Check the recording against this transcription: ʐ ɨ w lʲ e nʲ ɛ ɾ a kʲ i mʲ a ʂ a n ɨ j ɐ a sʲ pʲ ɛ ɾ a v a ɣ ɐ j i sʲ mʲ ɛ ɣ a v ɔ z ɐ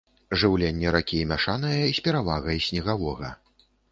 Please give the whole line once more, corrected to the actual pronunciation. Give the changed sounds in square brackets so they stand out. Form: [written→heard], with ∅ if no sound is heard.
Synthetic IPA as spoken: ʐ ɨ w lʲ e [nʲ→nʲː] ɛ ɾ a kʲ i mʲ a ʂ a n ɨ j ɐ [a→i] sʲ pʲ ɛ ɾ a v a ɣ ɐ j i sʲ [mʲ→nʲ] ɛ ɣ a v ɔ [z→ɣ] ɐ